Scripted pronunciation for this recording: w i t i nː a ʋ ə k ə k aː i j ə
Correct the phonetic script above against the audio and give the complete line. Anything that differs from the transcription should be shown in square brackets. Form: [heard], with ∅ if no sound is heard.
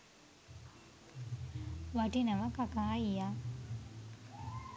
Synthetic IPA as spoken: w [a] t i [n] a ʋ [a] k [a] k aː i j [a]